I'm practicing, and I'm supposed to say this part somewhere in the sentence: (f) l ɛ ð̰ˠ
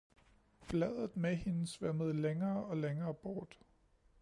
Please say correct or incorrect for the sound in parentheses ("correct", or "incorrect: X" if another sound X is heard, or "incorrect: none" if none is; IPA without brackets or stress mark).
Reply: correct